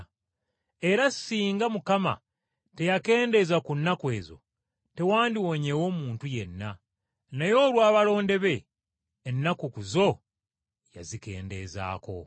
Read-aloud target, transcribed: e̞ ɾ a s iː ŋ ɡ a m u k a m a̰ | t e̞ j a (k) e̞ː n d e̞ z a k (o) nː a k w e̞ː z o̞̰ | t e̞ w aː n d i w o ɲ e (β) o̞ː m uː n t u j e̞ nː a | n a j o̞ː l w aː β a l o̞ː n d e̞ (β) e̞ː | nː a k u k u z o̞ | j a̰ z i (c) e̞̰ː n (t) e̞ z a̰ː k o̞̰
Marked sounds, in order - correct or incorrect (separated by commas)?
correct, incorrect, incorrect, correct, incorrect, incorrect